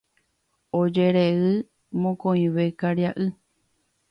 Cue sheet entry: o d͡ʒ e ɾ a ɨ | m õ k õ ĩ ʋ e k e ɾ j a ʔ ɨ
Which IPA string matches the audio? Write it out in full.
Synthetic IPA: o d͡ʒ e ɾ e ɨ | m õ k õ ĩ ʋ e k a ɾ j a ʔ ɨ